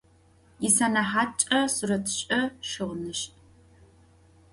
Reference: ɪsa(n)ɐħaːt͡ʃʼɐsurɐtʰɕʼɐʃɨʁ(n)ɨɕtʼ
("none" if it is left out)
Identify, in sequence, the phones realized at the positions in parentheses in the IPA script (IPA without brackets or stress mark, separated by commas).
n, n